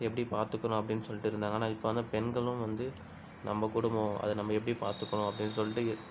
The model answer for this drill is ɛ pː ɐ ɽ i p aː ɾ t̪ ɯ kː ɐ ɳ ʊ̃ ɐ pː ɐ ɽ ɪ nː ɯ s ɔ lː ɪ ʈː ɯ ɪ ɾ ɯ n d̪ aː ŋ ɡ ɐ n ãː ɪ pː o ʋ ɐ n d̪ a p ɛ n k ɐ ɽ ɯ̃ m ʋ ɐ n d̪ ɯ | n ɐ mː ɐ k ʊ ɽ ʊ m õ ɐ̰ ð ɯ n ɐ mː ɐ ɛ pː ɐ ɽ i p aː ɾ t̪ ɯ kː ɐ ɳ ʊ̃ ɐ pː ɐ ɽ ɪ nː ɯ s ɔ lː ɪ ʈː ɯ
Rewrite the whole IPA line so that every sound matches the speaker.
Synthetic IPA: ɛ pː ɐ ɽ i p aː ɾ t̪ ɯ kː ɐ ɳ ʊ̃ ɐ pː ɐ ɽ ɪ nː ɯ s ɔ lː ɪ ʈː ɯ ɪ ɾ ɯ n d̪ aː ŋ ɡ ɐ n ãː ɪ pː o ʋ ɐ n d̪ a p ɛ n ɡ ɐ ɭ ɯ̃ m ʋ ɐ n d̪ ɯ | n ɐ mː ɐ k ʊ ɽ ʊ m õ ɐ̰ ð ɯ n ɐ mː ɐ ɛ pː ɐ ɽ i p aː ɾ t̪ ɯ kː ɐ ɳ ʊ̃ ɐ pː ɐ ɽ ɪ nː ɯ s ɔ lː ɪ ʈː ɯ